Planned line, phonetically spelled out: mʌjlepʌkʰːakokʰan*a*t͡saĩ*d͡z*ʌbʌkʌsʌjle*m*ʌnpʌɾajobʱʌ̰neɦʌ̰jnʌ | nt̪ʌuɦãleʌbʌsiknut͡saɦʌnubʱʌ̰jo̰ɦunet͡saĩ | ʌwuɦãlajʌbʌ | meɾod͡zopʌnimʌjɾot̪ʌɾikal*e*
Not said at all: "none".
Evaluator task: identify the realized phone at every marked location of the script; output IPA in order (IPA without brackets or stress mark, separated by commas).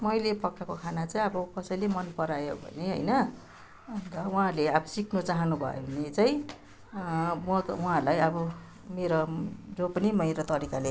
a, none, m, e